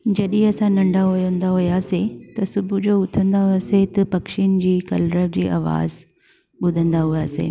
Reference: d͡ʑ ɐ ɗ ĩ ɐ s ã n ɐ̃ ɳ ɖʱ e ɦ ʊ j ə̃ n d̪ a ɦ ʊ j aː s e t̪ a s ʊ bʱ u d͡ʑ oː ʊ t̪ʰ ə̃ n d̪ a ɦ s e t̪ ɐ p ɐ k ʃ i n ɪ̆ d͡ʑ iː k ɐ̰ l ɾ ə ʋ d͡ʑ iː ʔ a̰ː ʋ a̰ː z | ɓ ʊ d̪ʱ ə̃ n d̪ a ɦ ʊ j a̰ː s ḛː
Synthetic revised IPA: d͡ʑ ɐ ɗ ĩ ɐ s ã n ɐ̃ ɳ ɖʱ a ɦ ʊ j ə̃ n d̪ a ɦ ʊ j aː s e t̪ ɐ s ʊ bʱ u d͡ʑ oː ʊ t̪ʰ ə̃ n d̪ a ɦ s e t̪ ɐ p ɐ k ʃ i n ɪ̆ d͡ʑ iː k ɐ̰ l ɾ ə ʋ d͡ʑ iː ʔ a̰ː ʋ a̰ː z | ɓ ʊ d̪ʱ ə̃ n d̪ a ɦ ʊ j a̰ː s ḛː